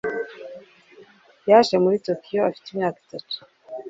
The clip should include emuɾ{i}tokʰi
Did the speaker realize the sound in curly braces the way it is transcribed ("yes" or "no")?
yes